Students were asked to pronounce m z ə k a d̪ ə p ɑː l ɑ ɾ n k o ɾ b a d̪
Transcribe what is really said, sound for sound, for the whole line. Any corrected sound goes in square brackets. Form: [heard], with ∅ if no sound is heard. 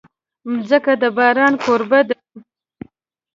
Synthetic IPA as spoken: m z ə k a d̪ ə [b] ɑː [ɾ] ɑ [∅] n k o ɾ b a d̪